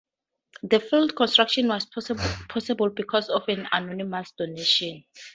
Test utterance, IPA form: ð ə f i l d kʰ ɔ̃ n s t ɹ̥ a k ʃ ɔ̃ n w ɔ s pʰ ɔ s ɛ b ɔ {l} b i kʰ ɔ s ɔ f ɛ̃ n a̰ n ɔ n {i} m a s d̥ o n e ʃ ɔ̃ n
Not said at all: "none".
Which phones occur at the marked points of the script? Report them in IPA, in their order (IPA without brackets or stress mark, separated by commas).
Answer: l, i